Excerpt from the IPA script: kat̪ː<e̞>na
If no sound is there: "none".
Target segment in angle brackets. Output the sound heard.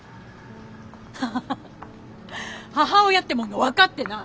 e̞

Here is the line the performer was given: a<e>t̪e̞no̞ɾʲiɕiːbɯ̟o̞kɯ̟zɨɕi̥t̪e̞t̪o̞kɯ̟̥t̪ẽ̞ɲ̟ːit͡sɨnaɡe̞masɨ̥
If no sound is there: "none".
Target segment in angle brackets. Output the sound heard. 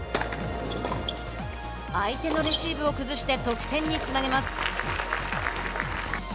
i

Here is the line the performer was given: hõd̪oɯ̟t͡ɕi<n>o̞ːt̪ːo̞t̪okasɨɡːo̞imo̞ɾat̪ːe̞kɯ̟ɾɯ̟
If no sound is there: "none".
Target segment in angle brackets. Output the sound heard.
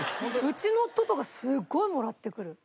n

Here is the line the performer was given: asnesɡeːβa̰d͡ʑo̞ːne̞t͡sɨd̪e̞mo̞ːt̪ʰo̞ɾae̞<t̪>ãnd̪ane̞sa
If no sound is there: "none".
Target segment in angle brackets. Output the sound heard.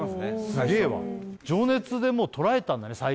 t̪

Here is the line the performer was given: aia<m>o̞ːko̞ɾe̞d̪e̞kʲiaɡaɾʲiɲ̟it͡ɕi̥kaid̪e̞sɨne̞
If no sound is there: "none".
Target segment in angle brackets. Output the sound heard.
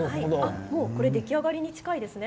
m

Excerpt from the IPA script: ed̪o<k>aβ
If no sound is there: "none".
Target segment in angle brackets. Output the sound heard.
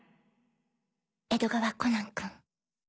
ɡ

